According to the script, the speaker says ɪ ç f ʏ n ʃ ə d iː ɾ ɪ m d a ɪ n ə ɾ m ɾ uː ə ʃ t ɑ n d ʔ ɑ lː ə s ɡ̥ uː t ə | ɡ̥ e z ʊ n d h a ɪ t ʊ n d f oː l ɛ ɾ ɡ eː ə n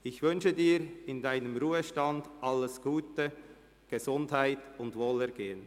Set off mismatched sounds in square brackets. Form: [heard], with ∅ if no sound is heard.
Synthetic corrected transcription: ɪ ç [v] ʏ n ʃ ə d iː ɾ ɪ [n] d a ɪ n ə [∅] m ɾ uː ə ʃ t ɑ n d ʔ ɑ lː ə s ɡ̥ uː t ə | ɡ̥ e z ʊ n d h a ɪ t ʊ n d [v] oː l ɛ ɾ ɡ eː ə n